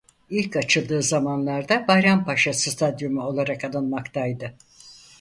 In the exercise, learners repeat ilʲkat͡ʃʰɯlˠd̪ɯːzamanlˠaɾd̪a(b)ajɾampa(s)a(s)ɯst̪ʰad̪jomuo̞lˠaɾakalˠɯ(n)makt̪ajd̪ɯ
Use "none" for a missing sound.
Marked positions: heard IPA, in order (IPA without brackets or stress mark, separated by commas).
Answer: b, ʃ, s, n